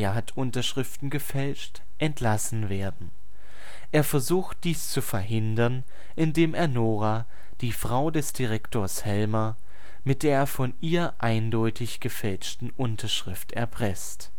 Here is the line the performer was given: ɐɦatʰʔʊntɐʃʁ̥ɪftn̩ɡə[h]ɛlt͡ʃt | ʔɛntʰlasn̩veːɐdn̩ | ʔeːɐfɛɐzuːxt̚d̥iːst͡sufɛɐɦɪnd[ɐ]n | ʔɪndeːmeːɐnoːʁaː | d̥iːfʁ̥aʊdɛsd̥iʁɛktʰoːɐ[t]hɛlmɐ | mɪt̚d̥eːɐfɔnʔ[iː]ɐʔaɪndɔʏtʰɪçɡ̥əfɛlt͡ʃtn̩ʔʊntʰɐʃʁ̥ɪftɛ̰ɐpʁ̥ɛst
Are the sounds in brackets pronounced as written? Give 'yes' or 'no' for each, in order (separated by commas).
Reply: no, yes, no, yes